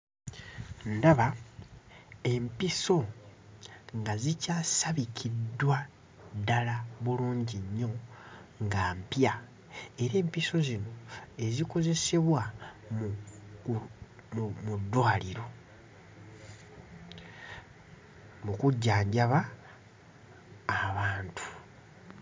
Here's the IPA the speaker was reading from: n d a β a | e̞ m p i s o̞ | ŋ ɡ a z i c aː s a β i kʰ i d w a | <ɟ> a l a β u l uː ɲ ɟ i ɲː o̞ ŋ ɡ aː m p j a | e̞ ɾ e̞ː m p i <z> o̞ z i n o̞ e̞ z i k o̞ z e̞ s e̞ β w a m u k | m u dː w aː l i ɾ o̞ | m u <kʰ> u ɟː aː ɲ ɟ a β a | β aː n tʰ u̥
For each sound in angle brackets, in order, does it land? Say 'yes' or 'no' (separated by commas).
no, no, no